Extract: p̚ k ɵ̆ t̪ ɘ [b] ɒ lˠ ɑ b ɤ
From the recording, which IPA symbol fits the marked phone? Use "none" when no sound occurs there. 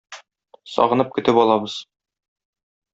p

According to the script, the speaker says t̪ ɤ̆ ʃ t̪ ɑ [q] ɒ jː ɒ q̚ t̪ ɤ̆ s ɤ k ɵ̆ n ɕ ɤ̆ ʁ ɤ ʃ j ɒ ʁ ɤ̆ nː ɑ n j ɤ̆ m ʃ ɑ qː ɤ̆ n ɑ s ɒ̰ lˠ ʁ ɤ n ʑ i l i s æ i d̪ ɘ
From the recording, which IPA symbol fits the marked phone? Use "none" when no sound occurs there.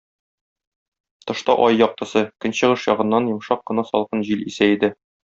ʔ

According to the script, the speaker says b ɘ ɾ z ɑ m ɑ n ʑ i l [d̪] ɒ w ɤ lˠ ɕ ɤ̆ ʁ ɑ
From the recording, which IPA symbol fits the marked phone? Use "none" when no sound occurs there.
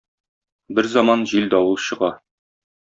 d̪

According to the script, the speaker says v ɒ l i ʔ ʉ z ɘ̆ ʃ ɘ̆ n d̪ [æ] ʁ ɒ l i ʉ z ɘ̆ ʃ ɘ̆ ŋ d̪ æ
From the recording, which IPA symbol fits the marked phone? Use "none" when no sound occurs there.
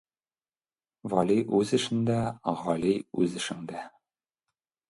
æ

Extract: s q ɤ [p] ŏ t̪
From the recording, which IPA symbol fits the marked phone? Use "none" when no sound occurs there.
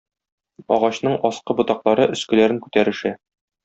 b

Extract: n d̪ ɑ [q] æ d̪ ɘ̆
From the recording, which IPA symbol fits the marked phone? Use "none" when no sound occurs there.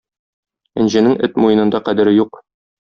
q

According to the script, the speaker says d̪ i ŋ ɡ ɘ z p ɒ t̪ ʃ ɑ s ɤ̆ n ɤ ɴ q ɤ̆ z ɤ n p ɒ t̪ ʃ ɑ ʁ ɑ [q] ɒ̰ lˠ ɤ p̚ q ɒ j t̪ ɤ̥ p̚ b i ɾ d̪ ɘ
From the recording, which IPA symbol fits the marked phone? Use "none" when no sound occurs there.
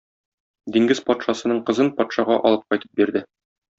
ʔ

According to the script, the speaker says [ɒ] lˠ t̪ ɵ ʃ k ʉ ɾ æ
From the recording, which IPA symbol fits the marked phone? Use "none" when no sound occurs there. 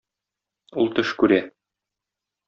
u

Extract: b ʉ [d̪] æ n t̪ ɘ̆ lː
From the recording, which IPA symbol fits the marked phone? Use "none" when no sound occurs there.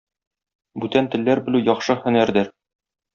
t̪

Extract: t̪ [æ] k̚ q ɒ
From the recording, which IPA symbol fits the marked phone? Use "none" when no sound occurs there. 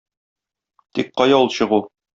i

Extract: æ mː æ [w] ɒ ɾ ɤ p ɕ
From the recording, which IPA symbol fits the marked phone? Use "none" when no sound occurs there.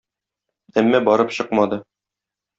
b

